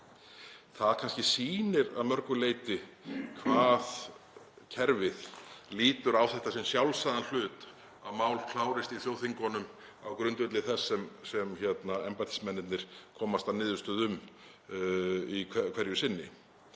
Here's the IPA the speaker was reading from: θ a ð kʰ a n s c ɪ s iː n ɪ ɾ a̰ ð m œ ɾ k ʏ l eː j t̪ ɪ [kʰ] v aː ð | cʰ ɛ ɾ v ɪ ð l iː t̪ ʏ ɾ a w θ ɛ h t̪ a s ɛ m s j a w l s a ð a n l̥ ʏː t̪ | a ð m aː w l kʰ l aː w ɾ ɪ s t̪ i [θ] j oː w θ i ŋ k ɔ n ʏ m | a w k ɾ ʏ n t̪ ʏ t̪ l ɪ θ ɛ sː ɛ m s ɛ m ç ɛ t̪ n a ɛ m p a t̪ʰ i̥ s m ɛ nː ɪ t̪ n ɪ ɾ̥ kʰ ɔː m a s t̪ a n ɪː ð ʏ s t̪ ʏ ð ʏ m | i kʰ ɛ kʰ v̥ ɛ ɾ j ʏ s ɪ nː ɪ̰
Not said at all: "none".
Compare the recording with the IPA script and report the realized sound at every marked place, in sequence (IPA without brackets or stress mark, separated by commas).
kʰ, θ